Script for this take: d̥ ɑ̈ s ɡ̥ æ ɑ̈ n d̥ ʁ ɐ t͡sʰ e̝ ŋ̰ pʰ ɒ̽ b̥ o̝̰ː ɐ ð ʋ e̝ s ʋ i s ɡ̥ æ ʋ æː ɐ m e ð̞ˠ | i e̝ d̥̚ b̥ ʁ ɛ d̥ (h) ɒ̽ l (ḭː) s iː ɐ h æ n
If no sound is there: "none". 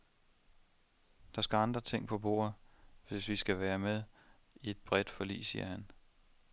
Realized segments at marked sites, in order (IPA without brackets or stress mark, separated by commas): f, ḭː